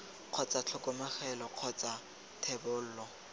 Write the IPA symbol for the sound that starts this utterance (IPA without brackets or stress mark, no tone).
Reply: q͡χʰ